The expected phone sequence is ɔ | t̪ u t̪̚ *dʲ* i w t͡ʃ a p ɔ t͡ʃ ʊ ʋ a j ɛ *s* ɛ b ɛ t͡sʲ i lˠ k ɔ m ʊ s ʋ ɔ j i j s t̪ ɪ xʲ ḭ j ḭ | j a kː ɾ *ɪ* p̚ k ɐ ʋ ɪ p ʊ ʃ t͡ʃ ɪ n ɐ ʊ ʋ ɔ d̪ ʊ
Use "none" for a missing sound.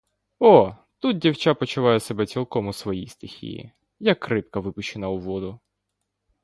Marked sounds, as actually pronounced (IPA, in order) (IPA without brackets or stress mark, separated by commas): dʲ, s, ɪ